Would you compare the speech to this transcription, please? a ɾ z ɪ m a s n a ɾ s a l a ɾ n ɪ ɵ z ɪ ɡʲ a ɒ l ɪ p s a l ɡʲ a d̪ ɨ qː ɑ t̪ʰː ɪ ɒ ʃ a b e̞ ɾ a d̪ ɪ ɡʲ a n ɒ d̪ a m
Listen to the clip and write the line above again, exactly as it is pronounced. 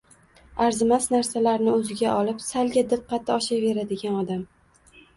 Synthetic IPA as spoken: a ɾ z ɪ m a s n a ɾ s a l a ɾ n ɪ ɵ z ɪ ɡʲ a ɒ l ɪ p s a l ɡʲ a d̪ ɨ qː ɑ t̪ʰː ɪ ɒ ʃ a v e̞ ɾ a d̪ ɪ ɡʲ a n ɒ d̪ a m